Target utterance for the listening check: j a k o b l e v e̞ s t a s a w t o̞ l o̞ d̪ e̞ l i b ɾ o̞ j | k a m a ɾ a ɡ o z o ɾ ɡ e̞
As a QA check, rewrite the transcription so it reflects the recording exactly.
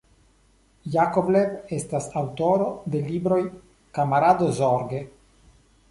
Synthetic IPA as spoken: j a k o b l e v e̞ s t a s a w t o̞ ɾ o̞ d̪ e̞ l i b ɾ o̞ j | k a m a ɾ a d o z o ɾ ɡ e̞